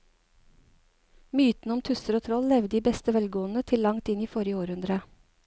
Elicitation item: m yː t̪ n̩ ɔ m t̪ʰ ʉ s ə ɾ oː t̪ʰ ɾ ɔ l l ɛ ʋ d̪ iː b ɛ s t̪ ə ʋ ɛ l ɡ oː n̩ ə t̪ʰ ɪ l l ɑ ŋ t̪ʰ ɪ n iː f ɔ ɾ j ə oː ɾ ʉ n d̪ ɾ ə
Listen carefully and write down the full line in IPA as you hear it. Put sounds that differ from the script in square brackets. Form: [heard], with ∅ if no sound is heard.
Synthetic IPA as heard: m yː t̪ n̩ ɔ m t̪ʰ ʉ s ə ɾ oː t̪ʰ ɾ ɔ l l ɛ ʋ d̪ iː b ɛ s t̪ ə ʋ ɛ l ɡ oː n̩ ə t̪ʰ ɪ l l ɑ ŋ [t̪] ɪ n iː f ɔ ɾ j ə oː ɾ ʉ n d̪ ɾ ə